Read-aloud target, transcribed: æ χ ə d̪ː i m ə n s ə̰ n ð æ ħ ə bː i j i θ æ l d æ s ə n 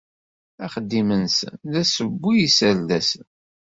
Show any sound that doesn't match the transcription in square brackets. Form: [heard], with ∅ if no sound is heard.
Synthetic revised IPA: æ χ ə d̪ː i m ə n s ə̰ n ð æ [s] ə bː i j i [s] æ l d æ s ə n